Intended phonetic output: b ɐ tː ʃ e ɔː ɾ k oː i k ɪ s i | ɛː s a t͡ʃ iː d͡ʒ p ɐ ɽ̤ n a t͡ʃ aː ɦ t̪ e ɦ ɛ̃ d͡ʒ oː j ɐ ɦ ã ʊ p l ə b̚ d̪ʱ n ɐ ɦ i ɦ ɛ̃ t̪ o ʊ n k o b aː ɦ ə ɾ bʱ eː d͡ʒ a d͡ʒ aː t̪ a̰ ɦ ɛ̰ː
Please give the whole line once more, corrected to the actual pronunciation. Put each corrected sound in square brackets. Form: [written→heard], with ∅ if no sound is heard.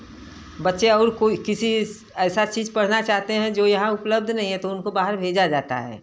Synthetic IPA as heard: b ɐ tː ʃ e ɔː ɾ k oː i k ɪ s i | ɛː s a t͡ʃ iː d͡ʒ p ɐ ɽ̤ n a t͡ʃ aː ɦ t̪ e ɦ ɛ̃ d͡ʒ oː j ɐ ɦ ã ʊ p l ə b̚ d̪ʱ n ɐ ɦ [i→ĩ] ɦ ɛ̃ t̪ o ʊ n k o b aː ɦ ə ɾ bʱ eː d͡ʒ a d͡ʒ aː t̪ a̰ ɦ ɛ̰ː